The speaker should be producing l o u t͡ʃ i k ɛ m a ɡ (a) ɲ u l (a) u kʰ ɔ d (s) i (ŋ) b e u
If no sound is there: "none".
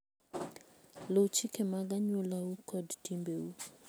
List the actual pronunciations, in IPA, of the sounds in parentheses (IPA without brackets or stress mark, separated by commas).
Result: a, a, t, m